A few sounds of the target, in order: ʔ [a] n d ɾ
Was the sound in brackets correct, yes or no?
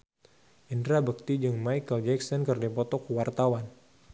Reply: no